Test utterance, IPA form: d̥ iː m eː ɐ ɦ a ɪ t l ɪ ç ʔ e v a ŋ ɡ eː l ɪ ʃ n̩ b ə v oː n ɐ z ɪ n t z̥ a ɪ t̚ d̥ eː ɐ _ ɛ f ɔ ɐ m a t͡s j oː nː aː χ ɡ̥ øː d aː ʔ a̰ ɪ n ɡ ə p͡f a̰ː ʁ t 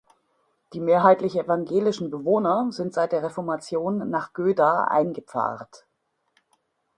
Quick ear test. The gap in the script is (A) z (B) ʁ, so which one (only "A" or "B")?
B